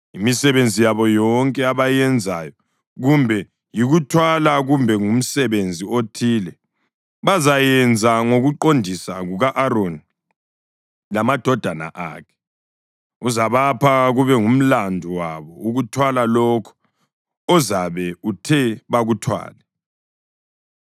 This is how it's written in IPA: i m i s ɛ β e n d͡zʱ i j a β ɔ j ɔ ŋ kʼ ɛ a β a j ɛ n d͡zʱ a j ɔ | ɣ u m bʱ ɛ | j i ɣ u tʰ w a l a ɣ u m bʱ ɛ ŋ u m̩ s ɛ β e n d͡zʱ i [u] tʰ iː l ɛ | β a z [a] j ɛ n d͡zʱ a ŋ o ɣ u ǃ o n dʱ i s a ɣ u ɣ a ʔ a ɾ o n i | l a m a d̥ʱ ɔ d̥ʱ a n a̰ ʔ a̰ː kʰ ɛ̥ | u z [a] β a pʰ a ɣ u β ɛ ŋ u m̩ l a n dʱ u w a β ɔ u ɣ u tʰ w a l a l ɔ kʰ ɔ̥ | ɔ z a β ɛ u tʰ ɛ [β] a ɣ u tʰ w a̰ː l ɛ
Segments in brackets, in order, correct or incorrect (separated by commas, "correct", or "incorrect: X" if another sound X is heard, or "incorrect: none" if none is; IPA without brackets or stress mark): incorrect: o, correct, correct, correct